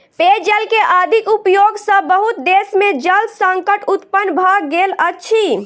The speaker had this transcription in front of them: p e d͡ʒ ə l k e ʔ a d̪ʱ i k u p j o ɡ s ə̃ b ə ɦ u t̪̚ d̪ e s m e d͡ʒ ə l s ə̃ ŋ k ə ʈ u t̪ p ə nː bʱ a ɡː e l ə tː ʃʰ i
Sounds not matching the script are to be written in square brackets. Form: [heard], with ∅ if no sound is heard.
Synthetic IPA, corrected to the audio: p e d͡ʒ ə l k e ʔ a d̪ʱ i k u p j o ɡ s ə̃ b ə ɦ u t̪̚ d̪ e s m e d͡ʒ ə l s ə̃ ŋ k ə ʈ u t̪ p ə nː bʱ a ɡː e l ə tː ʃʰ i